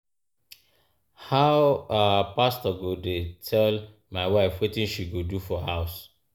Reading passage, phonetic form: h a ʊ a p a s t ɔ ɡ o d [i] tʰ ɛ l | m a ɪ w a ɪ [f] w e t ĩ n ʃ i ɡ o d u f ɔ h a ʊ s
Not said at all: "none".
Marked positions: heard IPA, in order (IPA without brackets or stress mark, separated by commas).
e, f